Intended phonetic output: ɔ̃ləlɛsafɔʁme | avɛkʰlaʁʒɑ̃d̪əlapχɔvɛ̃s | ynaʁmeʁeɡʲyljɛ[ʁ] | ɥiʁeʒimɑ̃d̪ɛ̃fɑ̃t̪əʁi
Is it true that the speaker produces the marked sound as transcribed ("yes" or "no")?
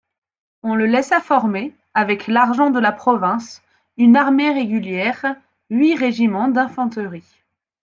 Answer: yes